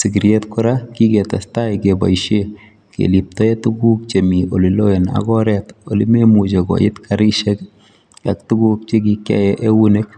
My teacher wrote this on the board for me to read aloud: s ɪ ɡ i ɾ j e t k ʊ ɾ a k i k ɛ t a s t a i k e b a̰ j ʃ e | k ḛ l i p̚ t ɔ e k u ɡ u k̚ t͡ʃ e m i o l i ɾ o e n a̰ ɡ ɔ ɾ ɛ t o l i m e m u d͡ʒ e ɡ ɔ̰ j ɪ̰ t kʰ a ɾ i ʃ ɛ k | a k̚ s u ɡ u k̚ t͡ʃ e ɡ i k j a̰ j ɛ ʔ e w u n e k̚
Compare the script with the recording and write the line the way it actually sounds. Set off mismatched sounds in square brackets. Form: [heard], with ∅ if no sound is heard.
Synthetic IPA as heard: s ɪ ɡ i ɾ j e t k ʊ ɾ a k i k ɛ t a s t a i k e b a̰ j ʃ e | k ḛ l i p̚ t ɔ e [t] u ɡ u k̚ t͡ʃ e m i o l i [l] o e n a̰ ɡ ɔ ɾ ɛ t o l i m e m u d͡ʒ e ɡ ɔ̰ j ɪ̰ t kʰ a ɾ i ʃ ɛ k | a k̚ [t] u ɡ u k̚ t͡ʃ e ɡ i k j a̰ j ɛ ʔ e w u n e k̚